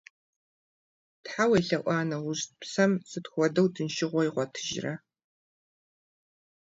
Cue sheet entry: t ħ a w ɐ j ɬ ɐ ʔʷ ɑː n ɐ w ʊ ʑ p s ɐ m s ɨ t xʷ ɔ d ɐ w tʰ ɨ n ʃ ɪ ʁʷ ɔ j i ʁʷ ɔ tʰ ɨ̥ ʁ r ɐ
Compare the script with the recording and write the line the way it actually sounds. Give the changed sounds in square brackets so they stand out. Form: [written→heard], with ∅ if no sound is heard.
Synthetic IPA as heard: t ħ a w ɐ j ɬ ɐ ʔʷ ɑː n ɐ w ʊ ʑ p s ɐ m s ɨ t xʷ ɔ d ɐ w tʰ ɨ n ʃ ɪ ʁʷ ɔ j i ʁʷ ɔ tʰ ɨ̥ [ʁ→ʒ] r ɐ